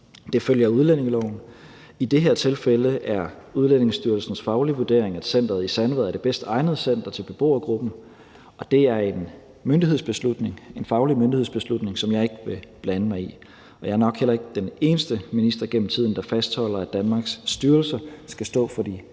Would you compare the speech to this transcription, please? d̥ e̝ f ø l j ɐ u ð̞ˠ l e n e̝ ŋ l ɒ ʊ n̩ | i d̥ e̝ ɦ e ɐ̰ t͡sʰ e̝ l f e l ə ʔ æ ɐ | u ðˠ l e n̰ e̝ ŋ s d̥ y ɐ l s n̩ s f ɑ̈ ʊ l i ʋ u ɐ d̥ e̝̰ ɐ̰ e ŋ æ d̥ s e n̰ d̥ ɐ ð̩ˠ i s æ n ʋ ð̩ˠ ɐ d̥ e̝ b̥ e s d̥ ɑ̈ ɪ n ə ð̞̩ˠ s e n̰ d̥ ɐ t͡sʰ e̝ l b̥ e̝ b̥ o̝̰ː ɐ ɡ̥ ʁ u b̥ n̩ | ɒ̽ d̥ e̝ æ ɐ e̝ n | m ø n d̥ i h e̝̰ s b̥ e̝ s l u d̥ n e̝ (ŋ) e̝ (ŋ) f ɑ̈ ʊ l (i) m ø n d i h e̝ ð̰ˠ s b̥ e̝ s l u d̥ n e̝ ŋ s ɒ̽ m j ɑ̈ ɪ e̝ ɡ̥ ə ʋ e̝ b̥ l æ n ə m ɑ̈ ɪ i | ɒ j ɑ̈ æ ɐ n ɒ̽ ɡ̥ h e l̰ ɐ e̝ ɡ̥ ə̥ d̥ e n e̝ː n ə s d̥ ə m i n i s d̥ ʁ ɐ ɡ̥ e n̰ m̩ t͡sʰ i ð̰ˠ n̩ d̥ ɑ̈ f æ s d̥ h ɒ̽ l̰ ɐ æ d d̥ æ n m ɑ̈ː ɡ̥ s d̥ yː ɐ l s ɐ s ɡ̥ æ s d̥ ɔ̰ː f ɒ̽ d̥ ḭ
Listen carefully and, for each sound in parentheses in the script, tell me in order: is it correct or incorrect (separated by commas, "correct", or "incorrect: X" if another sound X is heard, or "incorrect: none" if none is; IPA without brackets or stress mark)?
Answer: correct, incorrect: n, correct